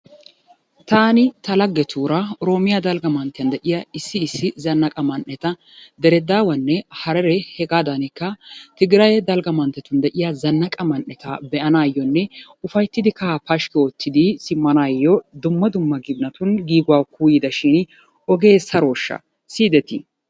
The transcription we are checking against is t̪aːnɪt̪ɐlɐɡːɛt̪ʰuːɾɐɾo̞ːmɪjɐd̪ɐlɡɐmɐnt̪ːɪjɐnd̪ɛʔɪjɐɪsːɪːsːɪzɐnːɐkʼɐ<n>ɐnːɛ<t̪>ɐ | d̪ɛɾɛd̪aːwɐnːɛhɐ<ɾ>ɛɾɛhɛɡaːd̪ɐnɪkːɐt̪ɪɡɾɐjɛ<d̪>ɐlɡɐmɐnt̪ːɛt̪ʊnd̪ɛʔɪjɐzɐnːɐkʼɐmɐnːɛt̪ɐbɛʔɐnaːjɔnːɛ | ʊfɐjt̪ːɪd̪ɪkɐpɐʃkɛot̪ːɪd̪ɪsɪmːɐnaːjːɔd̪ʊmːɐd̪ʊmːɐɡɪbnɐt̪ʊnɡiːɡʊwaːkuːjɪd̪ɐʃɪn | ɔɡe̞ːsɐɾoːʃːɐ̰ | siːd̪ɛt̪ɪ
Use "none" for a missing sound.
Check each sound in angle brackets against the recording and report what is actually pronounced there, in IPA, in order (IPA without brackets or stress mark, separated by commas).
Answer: m, t̪, ɾ, d̪